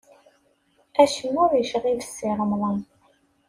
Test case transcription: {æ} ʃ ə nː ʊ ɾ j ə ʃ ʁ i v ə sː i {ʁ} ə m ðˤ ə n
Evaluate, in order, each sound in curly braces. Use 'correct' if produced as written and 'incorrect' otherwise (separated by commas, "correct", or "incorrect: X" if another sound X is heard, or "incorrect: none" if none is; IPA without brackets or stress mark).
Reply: correct, correct